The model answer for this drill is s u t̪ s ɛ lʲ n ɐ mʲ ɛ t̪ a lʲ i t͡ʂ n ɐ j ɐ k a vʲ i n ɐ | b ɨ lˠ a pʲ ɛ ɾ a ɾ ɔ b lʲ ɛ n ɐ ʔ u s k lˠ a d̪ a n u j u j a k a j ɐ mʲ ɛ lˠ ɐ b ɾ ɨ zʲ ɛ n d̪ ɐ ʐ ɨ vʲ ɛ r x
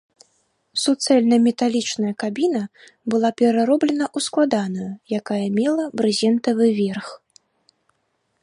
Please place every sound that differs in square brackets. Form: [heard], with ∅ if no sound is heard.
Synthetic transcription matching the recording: s u t̪ s ɛ lʲ n ɐ mʲ ɛ t̪ a lʲ i t͡ʂ n ɐ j ɐ k a [bʲ] i n ɐ | b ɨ lˠ a pʲ ɛ ɾ a ɾ ɔ b lʲ ɛ n ɐ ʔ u s k lˠ a d̪ a n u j u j a k a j ɐ mʲ ɛ lˠ ɐ b ɾ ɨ zʲ ɛ n [t̪] ɐ [v] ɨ vʲ ɛ r x